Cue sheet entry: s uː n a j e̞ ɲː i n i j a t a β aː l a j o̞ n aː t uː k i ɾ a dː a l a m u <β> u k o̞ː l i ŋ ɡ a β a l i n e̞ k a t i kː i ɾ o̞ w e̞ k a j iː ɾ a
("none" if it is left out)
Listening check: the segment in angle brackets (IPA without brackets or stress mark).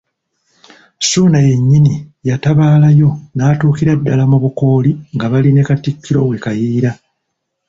β